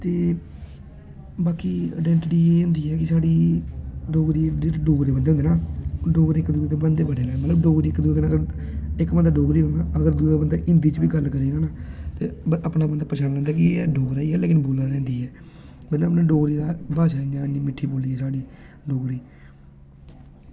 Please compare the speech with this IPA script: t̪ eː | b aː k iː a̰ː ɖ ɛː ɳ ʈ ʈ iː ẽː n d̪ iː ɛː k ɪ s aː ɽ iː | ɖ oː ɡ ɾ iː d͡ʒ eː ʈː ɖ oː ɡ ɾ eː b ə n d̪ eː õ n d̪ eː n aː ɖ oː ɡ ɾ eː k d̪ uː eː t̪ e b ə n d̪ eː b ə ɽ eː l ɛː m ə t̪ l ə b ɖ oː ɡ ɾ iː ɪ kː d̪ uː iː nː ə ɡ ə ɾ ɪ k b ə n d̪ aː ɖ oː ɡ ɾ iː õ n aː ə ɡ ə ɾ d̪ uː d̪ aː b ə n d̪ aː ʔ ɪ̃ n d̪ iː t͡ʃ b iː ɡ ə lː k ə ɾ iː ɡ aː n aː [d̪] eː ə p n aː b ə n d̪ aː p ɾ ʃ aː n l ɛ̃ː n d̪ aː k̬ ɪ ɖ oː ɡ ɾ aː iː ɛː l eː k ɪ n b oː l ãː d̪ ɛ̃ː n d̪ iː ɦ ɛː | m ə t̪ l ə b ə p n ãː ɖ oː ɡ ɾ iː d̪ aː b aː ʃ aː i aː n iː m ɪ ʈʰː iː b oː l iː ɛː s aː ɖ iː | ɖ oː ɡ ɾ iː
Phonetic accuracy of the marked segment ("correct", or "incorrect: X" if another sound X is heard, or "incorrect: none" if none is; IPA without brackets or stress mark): incorrect: t̪